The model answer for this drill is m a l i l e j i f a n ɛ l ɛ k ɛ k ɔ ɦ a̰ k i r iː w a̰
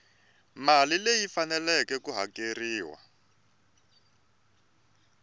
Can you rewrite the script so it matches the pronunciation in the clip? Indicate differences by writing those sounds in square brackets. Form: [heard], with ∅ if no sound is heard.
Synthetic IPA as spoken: m a l i l e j i f a n ɛ l ɛ k ɛ k [u] ɦ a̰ k [e] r iː w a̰